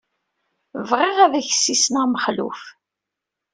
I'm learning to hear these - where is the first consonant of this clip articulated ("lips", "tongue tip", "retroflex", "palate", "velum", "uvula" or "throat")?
lips